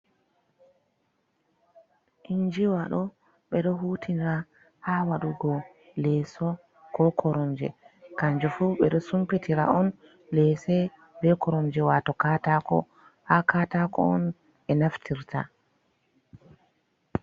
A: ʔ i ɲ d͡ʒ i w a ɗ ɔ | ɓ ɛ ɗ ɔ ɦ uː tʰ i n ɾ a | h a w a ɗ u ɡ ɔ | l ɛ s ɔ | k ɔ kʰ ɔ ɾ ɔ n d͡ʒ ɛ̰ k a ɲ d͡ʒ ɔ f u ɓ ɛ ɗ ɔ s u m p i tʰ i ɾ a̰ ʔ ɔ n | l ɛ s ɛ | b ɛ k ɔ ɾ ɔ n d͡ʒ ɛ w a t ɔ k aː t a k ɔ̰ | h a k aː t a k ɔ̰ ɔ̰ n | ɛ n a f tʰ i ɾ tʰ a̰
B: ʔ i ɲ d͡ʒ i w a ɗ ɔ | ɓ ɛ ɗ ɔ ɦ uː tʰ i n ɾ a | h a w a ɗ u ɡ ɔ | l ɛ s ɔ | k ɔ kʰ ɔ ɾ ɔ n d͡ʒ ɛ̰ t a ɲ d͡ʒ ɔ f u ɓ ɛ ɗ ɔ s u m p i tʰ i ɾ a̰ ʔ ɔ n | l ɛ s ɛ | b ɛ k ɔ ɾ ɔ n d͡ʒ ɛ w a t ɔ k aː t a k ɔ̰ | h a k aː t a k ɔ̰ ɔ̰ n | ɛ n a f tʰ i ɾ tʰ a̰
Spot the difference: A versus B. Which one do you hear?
A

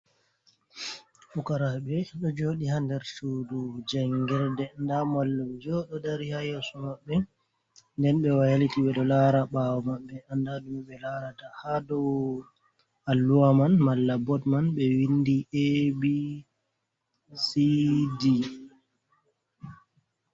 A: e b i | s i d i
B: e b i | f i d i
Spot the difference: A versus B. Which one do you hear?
A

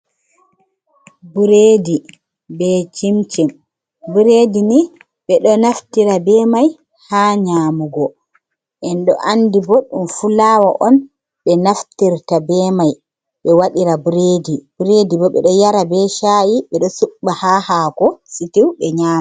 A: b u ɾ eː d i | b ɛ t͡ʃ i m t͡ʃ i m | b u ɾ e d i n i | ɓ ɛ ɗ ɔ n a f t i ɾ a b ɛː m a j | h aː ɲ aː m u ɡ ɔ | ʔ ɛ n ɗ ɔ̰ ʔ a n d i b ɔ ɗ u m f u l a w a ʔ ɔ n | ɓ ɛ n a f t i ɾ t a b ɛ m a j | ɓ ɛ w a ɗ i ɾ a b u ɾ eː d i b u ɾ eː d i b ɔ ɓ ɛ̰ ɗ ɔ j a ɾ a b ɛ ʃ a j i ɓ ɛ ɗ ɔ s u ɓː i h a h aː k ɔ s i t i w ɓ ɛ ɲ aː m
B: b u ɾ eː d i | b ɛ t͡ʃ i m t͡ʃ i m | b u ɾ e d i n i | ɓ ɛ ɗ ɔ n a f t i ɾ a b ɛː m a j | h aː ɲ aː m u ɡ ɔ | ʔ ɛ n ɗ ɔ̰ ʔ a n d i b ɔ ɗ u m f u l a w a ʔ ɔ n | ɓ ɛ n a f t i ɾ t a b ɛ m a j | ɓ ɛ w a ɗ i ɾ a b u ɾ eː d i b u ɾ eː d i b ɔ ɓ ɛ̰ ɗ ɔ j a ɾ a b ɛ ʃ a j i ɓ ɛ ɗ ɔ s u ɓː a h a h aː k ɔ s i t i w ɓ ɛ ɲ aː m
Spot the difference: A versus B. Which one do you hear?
B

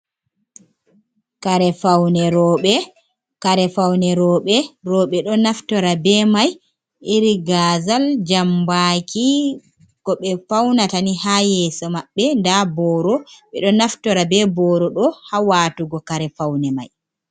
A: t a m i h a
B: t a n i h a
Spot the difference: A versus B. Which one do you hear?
B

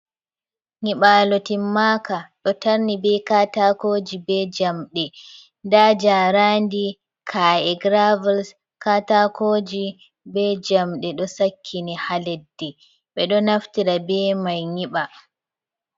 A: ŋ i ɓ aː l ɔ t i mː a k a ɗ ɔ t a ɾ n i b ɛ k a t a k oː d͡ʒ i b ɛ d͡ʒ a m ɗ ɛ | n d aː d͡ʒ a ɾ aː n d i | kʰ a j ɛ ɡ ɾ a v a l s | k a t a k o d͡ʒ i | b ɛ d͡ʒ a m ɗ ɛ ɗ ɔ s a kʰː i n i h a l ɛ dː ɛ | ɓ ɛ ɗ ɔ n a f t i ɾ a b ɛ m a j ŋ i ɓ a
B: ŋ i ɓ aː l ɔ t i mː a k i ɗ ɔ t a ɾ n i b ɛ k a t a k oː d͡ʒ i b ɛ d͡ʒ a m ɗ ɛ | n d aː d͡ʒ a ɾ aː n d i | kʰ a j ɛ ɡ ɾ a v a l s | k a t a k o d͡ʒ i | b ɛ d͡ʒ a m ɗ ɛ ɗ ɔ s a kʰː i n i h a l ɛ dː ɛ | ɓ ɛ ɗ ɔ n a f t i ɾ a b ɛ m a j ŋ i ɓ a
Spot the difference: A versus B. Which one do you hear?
A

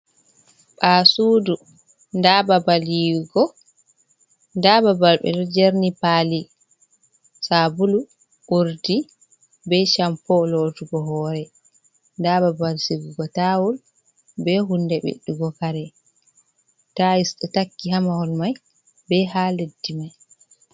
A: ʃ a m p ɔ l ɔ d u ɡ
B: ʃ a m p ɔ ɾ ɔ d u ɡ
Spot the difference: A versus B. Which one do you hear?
A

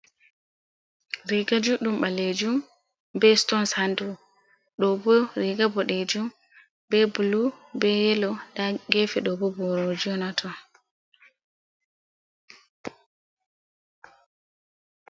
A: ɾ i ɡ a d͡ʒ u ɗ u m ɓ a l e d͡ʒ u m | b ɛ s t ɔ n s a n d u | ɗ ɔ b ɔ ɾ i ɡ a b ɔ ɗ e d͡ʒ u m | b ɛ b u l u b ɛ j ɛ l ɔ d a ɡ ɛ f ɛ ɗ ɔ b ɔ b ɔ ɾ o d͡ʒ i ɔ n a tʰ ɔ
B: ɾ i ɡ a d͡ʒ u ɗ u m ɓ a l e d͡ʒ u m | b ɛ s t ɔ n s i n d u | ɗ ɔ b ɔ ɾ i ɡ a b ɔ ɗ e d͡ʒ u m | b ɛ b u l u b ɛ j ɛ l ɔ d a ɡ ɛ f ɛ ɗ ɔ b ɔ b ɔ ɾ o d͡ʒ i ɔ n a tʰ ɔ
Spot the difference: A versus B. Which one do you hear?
A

